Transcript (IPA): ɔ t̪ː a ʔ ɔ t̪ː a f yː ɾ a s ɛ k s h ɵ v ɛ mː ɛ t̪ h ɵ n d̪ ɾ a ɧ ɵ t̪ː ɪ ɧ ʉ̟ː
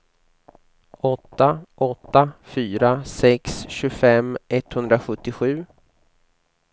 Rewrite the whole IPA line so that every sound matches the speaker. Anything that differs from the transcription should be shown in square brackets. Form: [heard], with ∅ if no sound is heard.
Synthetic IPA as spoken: ɔ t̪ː a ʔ ɔ t̪ː a f yː ɾ a s ɛ k s [ɕ] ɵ [f] ɛ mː ɛ t̪ h ɵ n d̪ ɾ a ɧ ɵ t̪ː ɪ ɧ ʉ̟ː